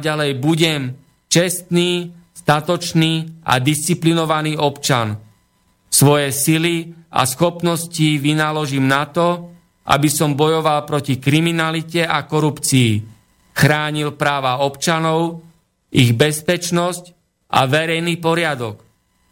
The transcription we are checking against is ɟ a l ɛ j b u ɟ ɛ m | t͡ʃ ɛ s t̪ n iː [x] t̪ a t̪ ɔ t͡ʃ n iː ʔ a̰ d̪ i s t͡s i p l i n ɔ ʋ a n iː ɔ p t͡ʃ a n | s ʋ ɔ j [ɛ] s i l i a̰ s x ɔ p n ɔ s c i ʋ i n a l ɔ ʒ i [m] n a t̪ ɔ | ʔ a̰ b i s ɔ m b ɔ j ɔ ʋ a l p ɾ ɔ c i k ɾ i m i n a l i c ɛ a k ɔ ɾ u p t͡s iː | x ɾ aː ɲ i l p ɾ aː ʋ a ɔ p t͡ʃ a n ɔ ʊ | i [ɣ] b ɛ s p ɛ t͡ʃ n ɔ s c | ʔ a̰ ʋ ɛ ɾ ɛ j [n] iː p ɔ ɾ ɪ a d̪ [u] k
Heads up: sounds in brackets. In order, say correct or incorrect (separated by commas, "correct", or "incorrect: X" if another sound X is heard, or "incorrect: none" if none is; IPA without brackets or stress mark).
incorrect: s, correct, correct, correct, correct, incorrect: ɔ